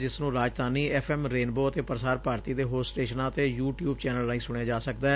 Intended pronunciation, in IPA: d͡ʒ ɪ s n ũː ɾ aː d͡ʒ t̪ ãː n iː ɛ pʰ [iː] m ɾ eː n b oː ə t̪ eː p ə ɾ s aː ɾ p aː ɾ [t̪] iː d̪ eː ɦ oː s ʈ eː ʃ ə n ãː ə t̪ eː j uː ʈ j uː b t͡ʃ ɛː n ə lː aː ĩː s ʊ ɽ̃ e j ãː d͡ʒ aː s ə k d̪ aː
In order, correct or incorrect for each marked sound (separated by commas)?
incorrect, correct